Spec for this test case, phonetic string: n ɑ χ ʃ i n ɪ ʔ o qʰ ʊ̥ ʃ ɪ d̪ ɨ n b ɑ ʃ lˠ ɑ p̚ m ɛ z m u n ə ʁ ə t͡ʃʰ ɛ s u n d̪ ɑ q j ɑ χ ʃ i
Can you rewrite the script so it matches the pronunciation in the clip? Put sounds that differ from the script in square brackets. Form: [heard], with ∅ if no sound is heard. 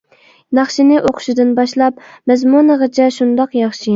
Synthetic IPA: n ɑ χ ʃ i n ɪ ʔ o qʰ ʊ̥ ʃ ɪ d̪ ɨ n b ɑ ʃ lˠ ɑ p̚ m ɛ z m u n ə ʁ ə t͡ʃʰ ɛ [ʃ] u n d̪ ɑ q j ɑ χ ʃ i